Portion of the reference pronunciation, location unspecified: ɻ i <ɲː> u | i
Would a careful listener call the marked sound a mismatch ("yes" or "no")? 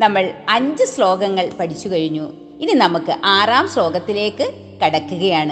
no